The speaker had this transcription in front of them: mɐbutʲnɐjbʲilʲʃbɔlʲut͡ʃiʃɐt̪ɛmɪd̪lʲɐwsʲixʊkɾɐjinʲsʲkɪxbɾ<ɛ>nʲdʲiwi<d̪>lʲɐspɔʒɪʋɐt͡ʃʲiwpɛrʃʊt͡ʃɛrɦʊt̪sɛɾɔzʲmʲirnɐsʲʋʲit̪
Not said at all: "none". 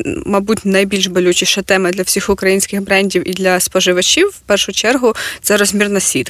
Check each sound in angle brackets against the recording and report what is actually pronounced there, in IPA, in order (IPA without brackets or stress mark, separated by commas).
ɛ, d̪